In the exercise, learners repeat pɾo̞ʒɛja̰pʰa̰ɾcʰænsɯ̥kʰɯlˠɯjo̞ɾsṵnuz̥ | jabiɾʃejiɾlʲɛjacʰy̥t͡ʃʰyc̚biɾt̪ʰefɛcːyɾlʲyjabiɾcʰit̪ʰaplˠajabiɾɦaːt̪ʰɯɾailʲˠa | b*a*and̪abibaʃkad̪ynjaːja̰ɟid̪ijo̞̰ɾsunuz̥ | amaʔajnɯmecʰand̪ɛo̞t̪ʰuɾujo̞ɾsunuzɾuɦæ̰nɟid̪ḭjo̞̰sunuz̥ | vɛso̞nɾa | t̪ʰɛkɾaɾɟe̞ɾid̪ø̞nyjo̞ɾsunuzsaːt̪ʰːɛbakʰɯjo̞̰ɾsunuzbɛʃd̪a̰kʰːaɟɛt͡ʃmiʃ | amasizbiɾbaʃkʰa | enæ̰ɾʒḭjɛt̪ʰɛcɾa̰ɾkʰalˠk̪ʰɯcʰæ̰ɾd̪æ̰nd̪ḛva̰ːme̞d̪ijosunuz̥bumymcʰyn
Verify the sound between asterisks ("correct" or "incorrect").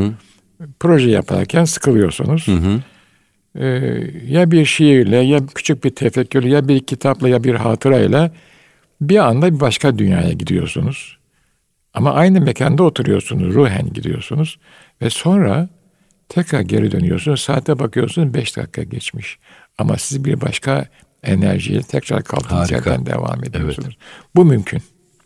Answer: incorrect